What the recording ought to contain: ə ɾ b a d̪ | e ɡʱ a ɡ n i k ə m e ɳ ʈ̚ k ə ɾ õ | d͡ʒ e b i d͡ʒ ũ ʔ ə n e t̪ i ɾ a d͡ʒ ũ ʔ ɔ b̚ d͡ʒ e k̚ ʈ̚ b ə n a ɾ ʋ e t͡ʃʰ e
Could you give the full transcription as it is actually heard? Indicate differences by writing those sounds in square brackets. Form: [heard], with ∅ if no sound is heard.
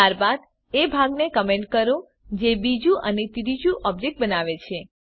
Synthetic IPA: [a] ɾ b a d̪ | e [bʱ] a ɡ n [e] k ə m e ɳ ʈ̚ k ə ɾ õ | d͡ʒ e b i d͡ʒ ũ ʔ ə n e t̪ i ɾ [i] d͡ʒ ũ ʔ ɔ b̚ d͡ʒ e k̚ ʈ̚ b ə n a [∅] ʋ e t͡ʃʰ e